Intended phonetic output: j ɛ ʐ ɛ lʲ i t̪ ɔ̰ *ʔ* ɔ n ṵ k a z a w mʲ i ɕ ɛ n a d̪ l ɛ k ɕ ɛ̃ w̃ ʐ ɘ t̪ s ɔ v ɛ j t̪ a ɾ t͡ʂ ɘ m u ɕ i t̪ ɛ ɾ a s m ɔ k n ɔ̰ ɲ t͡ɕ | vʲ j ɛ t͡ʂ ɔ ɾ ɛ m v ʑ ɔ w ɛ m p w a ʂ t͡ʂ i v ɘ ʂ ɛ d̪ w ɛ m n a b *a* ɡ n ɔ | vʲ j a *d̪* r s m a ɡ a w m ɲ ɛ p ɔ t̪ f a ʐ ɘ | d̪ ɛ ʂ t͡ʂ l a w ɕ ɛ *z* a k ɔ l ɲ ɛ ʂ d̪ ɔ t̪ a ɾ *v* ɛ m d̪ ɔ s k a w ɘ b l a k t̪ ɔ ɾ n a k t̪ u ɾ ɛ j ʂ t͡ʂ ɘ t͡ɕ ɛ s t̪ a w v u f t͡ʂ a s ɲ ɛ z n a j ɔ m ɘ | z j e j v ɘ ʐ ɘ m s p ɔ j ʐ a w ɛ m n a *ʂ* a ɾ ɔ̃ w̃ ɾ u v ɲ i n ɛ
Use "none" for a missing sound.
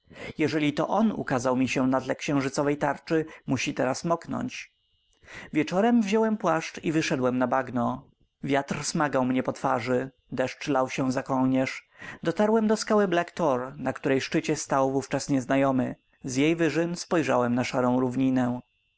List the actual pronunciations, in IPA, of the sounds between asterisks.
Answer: ʔ, a, t̪, z, w, ʂ

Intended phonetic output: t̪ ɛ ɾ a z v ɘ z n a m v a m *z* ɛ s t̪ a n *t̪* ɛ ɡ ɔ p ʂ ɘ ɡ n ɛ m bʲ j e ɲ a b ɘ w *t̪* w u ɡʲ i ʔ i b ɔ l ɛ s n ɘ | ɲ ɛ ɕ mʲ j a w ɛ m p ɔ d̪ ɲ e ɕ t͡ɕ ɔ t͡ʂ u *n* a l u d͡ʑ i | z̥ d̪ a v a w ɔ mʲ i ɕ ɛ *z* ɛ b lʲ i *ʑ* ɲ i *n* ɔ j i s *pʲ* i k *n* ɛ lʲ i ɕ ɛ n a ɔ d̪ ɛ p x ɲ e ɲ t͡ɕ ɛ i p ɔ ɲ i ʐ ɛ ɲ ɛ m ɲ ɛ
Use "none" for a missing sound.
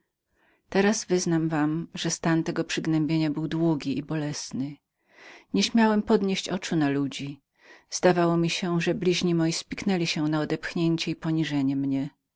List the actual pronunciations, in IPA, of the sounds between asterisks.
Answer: ʐ, t̪, d̪, n, ʐ, ʑ, m, pʲ, n

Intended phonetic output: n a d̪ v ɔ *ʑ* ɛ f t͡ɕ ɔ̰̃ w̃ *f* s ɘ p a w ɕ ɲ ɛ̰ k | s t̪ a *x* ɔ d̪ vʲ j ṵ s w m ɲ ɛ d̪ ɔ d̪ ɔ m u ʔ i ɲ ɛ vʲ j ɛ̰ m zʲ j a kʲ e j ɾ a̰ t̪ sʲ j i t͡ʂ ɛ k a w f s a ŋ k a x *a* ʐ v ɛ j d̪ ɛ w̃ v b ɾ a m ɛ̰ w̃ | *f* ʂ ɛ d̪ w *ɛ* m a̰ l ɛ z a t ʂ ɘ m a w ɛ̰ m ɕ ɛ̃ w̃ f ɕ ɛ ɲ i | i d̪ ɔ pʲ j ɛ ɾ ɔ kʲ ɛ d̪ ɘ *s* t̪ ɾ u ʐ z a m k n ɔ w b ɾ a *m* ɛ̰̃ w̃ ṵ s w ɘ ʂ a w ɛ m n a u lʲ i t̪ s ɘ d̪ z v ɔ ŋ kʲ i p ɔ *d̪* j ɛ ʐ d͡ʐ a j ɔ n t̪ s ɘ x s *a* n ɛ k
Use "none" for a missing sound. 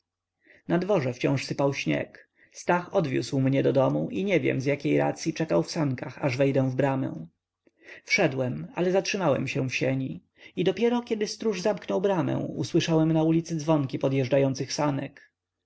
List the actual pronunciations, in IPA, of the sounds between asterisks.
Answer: ʐ, ʂ, x, a, f, ɛ, s, m, d̪, a

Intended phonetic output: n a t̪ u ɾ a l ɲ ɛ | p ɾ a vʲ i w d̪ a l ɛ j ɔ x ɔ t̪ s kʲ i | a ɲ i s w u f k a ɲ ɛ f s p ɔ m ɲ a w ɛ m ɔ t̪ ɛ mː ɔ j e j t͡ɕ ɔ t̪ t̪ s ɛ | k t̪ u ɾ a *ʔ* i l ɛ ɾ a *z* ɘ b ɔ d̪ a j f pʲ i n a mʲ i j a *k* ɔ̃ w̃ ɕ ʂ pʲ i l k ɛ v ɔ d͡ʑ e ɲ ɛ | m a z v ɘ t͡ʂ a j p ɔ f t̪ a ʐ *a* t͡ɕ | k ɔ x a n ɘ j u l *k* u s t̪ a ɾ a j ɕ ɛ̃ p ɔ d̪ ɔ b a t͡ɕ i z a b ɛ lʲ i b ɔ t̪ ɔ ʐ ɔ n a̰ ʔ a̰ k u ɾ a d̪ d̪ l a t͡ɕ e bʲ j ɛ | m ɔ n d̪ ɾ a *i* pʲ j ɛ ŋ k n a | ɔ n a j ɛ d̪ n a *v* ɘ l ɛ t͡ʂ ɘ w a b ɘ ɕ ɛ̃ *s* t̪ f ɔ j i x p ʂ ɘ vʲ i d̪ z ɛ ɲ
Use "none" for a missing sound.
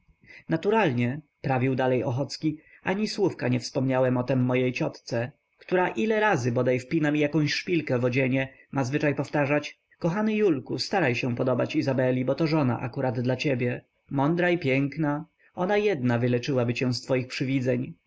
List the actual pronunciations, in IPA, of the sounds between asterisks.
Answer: ʔ, z, k, a, k, i, v, s

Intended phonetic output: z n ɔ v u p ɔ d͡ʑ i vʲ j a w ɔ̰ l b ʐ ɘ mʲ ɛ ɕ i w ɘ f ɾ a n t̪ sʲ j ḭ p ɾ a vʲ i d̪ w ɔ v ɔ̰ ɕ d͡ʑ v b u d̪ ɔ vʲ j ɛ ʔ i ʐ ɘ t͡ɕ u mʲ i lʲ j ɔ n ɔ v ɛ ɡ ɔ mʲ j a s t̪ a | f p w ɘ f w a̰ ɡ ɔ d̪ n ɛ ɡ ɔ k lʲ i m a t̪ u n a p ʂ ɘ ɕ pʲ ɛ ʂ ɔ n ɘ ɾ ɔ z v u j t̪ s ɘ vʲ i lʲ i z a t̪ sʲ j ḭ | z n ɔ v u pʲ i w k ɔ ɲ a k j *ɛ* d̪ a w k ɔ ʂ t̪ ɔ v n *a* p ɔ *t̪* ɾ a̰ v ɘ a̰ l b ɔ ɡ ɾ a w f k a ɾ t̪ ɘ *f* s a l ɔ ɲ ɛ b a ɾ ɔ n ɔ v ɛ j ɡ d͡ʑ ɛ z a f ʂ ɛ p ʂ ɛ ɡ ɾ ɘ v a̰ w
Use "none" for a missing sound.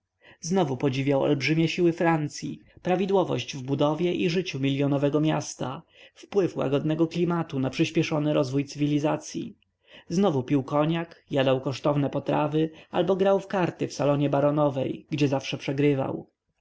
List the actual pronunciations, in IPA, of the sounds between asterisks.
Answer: a, ɛ, t̪, f

